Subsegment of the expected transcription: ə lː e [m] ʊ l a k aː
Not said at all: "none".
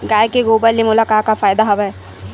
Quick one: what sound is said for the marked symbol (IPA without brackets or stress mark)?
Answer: m